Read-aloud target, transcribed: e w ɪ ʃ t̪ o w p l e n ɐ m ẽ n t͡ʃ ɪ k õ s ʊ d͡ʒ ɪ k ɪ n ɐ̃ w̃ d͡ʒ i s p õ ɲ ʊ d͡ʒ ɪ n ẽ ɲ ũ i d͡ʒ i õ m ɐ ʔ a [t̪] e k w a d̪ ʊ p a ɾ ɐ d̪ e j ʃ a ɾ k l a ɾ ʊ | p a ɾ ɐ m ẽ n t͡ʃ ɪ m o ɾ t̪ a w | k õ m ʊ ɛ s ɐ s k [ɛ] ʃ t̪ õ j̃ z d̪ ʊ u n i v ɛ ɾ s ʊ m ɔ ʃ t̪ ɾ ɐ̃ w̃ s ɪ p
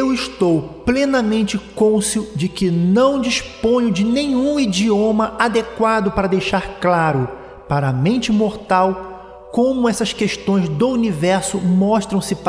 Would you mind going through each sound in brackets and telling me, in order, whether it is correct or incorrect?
incorrect, incorrect

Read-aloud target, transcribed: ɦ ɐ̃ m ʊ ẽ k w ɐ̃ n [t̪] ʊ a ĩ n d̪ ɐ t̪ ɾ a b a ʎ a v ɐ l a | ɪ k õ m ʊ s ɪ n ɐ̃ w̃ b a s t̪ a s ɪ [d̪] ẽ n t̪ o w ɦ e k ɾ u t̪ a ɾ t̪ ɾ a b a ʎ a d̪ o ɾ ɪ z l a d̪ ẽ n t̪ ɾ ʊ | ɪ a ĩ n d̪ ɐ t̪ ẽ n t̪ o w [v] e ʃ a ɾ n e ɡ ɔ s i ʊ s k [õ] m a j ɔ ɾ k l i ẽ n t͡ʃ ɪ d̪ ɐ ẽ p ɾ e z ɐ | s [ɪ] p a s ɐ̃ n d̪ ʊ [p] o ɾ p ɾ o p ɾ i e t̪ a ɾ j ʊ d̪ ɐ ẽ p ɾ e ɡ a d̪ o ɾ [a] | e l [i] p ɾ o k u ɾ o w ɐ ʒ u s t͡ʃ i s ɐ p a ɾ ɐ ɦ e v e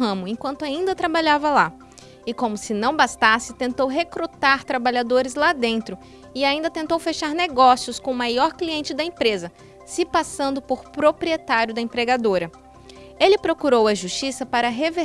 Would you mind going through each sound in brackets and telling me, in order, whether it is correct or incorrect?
correct, incorrect, incorrect, correct, correct, correct, incorrect, incorrect

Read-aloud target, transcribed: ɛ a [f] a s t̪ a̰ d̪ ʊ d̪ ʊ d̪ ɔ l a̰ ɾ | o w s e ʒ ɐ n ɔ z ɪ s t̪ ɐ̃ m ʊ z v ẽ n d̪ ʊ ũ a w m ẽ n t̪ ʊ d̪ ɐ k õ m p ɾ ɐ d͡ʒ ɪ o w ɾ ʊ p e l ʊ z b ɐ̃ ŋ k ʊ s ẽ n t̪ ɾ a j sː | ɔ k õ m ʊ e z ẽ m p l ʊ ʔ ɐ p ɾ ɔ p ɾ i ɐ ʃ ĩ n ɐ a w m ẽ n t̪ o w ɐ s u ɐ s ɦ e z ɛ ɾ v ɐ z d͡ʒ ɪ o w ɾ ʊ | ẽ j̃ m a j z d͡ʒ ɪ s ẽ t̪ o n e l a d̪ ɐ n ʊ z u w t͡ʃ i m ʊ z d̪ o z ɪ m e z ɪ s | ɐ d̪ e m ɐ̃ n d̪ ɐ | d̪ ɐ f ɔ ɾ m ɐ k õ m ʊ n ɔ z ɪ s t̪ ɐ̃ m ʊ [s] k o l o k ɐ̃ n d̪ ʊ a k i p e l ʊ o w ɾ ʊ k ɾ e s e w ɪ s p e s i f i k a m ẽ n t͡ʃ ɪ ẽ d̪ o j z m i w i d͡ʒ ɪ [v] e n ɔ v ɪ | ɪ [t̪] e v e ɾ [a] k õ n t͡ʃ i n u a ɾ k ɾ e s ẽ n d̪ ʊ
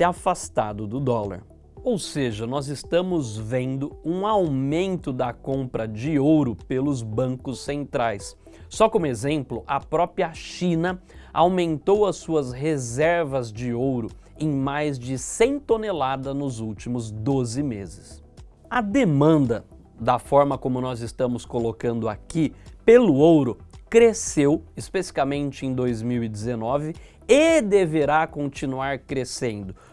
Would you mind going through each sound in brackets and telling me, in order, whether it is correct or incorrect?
correct, correct, incorrect, incorrect, correct

